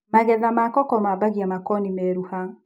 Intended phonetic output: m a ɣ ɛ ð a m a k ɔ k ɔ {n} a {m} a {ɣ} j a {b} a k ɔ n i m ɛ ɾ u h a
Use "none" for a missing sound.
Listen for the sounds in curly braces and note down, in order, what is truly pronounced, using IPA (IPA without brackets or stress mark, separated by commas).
m, b, ɣ, m